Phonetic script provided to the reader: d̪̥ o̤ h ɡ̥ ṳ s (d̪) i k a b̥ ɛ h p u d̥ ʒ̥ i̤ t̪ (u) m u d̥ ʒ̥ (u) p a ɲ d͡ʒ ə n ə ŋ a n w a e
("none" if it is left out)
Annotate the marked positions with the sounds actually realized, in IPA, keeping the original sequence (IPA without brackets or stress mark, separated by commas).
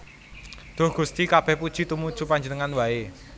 t̪, u, u